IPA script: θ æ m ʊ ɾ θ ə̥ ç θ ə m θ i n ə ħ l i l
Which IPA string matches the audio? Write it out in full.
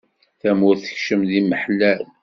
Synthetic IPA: θ æ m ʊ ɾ θ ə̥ ç ʃ ə m ð i m ə ħ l æ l